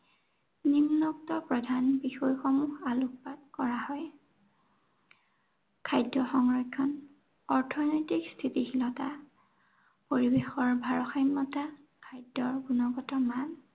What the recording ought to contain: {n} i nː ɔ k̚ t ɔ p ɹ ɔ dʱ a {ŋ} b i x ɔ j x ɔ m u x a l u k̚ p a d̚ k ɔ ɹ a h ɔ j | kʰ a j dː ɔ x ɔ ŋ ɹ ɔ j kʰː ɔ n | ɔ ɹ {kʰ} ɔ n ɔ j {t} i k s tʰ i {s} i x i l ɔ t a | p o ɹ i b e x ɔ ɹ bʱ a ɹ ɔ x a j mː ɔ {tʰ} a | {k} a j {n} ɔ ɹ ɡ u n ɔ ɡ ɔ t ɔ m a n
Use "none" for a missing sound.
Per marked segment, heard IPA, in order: n, n, tʰ, t, t, t, kʰ, d

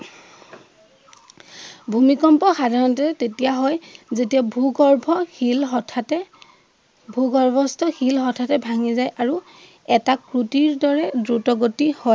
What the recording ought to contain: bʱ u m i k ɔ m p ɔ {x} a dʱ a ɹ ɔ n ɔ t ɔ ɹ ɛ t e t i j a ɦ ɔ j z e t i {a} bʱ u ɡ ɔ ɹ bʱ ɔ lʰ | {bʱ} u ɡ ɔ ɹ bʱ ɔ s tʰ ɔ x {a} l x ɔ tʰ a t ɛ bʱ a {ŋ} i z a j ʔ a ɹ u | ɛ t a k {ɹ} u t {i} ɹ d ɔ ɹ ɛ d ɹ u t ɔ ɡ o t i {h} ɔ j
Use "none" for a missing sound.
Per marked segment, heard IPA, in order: x, a, bʱ, i, ŋ, ɹ, i, h

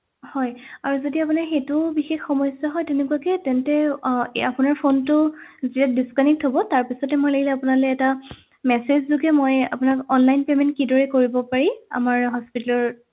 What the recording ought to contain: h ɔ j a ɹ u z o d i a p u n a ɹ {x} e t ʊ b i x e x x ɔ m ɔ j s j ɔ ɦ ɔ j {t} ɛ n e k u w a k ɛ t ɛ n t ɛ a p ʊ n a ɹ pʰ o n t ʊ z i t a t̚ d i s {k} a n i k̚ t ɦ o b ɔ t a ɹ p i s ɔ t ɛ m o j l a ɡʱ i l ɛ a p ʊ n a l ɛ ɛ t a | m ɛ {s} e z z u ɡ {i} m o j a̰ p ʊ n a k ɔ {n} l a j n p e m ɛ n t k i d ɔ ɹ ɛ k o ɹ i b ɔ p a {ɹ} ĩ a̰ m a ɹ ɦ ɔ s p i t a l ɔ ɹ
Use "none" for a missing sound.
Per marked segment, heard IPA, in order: x, t, k, s, ɛ, n, ɹ

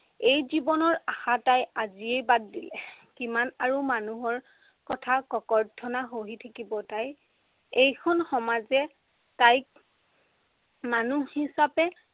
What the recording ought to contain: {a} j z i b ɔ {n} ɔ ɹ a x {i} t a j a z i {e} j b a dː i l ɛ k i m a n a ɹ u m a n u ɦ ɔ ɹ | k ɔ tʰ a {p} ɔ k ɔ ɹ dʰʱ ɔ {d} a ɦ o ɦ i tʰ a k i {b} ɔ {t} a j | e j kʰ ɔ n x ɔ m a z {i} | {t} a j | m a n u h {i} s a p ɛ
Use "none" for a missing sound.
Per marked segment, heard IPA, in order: e, n, a, e, k, n, b, t, ɛ, t, i

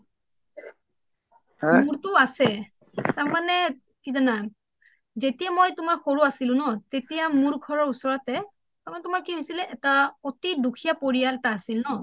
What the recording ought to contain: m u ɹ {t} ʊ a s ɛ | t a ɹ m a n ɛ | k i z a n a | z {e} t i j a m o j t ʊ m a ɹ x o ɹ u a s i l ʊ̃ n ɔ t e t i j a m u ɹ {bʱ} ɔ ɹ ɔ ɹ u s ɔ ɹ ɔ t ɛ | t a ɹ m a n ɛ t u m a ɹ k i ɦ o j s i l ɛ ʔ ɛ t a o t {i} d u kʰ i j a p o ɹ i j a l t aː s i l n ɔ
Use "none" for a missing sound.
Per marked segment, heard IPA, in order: t, e, ɡʱ, i

